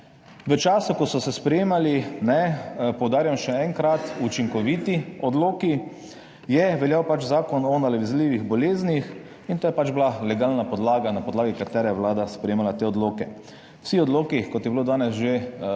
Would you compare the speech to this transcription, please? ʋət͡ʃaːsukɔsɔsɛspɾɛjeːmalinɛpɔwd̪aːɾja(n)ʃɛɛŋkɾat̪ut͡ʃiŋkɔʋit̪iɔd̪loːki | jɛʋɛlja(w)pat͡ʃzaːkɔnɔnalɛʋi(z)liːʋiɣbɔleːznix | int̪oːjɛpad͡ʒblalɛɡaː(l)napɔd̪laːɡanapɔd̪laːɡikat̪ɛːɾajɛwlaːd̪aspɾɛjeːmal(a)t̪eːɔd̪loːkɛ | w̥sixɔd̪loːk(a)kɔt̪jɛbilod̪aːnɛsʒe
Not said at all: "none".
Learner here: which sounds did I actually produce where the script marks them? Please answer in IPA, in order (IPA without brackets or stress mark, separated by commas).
m, w, z, l, a, i